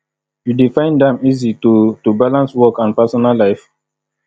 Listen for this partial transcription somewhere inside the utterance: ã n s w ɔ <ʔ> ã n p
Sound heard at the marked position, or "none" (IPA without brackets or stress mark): k